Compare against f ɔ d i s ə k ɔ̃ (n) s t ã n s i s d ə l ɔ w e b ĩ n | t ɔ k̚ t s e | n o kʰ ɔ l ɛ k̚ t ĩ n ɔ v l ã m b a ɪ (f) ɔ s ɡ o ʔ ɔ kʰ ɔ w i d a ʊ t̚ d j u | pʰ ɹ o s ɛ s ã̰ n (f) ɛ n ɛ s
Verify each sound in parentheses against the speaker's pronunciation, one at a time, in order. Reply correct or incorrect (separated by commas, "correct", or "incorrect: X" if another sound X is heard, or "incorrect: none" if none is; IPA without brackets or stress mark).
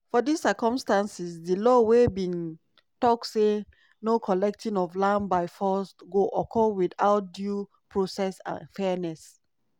incorrect: m, correct, correct